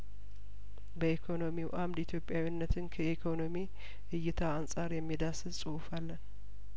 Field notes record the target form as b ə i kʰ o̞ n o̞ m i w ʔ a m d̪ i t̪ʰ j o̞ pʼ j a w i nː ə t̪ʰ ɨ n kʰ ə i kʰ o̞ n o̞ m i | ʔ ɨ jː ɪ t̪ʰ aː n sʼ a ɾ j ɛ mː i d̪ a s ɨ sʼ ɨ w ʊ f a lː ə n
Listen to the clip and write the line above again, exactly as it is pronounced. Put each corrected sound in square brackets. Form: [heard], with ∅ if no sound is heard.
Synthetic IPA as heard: b ə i kʰ o̞ n o̞ m i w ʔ a m d̪ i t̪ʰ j o̞ pʼ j a w i nː ə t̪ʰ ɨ n kʰ ə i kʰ o̞ n o̞ m i | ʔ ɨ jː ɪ t̪ʰ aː n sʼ a ɾ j ɛ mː i d̪ a s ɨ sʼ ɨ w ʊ f a lː ə n